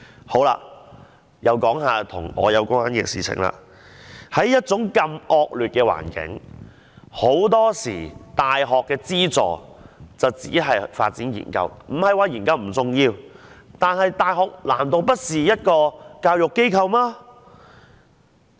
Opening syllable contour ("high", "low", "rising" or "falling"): rising